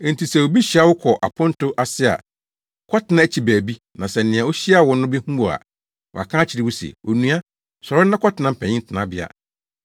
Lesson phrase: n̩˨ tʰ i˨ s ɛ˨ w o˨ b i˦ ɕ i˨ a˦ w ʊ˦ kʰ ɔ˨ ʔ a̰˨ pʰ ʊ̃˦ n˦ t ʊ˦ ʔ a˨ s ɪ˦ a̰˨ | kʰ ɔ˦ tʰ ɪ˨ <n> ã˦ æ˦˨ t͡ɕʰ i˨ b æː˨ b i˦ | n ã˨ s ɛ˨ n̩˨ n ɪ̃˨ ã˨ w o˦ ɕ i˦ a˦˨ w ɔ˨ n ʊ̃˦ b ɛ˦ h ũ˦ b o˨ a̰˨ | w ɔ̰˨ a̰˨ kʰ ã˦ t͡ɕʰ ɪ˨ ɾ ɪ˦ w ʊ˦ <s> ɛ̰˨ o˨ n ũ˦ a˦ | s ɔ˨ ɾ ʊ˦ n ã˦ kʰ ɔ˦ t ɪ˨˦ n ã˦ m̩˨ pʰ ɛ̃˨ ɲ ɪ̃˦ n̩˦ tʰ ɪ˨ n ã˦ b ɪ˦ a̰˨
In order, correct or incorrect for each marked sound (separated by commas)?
correct, correct